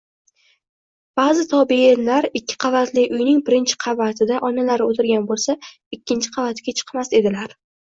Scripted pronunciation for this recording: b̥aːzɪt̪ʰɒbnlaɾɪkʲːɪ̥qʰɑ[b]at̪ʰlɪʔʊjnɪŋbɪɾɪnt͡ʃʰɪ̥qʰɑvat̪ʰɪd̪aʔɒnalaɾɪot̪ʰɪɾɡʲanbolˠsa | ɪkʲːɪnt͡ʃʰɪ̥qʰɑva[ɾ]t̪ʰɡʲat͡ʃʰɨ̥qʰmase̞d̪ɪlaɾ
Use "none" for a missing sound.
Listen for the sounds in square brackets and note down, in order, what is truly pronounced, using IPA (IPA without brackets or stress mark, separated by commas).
v, none